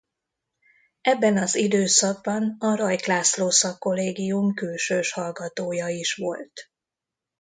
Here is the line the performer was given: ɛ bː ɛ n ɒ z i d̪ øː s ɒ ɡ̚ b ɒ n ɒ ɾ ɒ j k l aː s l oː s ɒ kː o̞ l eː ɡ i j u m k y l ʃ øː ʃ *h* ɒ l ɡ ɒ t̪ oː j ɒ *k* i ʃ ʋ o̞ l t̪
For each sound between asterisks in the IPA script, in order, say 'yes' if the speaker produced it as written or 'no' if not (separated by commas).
yes, no